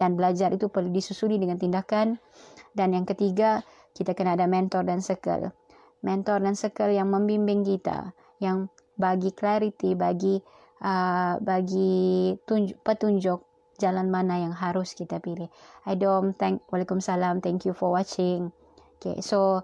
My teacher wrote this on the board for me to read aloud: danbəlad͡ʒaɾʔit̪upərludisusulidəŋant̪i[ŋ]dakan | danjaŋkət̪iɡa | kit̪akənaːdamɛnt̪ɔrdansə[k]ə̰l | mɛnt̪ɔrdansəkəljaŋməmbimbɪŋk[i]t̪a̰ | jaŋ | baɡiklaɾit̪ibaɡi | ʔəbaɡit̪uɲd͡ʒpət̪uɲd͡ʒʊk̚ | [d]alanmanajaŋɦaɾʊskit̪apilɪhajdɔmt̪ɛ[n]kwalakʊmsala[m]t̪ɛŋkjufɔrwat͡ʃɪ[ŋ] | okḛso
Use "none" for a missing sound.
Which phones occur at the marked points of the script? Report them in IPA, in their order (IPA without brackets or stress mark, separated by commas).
n, k, i, d͡ʒ, ŋ, m, ŋ